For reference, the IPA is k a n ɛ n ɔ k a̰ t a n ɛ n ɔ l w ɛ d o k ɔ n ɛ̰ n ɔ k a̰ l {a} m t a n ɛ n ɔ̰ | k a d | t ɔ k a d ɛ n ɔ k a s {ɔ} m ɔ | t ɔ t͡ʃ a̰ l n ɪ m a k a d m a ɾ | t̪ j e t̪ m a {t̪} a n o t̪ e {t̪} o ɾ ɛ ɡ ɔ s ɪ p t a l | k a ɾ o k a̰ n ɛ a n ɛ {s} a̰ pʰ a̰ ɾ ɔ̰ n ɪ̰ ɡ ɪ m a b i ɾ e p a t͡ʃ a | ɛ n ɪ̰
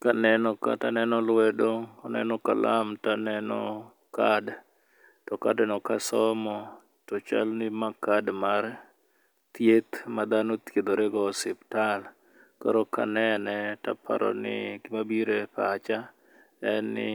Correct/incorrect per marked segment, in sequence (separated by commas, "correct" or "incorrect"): correct, correct, incorrect, incorrect, incorrect